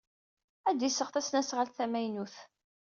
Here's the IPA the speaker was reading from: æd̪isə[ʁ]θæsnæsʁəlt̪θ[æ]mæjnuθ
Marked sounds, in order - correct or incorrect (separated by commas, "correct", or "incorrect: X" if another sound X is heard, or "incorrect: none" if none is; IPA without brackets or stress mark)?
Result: correct, correct